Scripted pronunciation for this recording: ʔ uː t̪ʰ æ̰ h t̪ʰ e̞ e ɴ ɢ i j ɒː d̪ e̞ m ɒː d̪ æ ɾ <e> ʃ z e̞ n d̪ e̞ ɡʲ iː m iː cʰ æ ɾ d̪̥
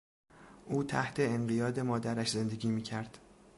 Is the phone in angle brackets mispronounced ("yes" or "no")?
yes